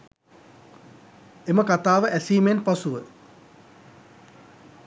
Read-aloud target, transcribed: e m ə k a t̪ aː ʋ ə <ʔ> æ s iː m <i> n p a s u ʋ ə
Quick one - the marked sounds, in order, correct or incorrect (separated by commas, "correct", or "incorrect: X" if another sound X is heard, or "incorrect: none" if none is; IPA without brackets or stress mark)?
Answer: correct, incorrect: e